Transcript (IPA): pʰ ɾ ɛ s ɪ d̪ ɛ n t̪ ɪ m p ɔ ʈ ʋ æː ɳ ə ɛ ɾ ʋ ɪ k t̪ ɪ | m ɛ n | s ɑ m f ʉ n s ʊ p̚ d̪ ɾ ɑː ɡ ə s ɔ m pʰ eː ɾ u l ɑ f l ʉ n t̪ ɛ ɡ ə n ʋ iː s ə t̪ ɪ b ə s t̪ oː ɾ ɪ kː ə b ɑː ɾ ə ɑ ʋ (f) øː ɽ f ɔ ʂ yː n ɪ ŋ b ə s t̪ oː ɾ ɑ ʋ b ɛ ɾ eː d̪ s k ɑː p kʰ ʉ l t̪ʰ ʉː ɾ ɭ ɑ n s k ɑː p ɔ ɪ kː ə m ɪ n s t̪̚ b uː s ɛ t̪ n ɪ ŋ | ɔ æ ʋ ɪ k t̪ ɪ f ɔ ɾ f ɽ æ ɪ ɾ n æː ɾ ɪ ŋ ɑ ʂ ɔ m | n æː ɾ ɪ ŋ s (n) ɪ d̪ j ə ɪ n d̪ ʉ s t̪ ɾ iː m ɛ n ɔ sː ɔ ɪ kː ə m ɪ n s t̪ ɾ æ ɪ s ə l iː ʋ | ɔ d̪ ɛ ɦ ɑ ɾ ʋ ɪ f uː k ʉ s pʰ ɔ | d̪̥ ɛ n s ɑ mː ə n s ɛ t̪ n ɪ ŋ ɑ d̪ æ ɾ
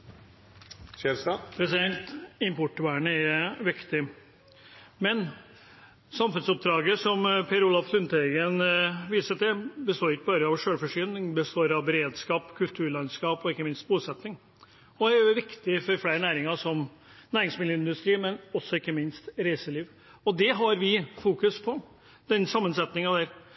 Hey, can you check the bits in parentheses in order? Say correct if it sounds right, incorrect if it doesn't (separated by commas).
incorrect, incorrect